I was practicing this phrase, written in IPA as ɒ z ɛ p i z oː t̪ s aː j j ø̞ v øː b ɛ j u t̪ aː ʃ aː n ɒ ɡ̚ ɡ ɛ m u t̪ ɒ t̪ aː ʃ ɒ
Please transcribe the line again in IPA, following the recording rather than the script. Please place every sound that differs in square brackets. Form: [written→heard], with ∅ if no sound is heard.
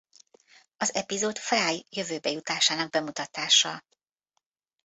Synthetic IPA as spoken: ɒ z ɛ p i z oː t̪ [s→f] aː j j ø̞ v øː b ɛ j u t̪ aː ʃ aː n ɒ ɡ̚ [ɡ→b] ɛ m u t̪ ɒ t̪ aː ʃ ɒ